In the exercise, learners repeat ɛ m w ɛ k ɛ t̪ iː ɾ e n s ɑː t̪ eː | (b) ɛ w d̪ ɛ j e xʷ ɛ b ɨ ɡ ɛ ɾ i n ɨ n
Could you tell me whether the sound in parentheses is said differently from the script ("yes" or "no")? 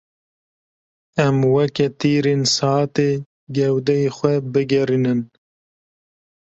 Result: yes